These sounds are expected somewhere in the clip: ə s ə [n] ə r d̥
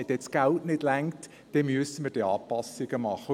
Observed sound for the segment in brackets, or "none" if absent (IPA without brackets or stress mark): m